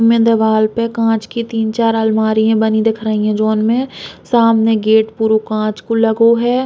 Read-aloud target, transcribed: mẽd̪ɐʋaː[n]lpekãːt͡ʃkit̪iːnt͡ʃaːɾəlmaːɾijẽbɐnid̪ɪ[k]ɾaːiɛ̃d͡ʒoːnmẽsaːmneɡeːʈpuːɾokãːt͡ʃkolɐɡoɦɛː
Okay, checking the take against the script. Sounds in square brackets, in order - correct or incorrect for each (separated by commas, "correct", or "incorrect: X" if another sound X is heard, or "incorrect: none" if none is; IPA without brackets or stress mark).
incorrect: none, incorrect: kʰ